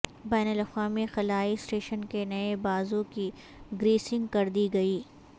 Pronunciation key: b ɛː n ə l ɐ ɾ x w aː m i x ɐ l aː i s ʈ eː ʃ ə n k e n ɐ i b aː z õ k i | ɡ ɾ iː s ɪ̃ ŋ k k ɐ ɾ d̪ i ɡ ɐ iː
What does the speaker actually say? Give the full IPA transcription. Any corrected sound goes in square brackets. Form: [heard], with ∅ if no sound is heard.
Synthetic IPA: b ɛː n ə l ɐ [∅] x w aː m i x ɐ l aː i s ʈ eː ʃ ə n k e n ɐ [e] b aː z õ k i | ɡ ɾ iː s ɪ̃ ŋ [ɡ] k ɐ ɾ d̪ i ɡ ɐ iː